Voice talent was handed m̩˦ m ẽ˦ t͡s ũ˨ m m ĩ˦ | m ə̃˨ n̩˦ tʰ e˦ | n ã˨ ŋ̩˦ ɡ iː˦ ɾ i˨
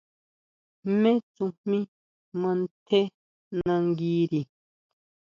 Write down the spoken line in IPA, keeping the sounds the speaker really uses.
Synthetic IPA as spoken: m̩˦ m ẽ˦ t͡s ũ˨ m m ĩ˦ | m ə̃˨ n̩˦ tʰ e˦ | n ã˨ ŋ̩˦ ɡ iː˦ ɾ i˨